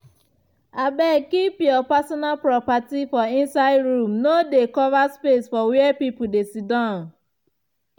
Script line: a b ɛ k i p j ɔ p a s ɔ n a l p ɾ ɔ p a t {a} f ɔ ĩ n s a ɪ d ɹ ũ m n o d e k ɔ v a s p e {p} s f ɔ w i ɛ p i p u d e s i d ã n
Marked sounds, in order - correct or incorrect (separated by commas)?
incorrect, incorrect